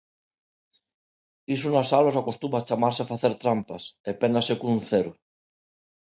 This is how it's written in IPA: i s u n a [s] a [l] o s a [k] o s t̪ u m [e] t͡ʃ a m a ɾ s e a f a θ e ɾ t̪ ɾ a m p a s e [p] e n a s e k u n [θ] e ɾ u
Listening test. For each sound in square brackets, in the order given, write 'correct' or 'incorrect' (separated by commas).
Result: correct, correct, correct, incorrect, correct, correct